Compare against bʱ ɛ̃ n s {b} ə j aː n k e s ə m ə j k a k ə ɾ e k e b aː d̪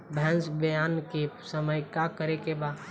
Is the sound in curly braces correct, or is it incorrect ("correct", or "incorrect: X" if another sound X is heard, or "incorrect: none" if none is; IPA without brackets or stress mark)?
correct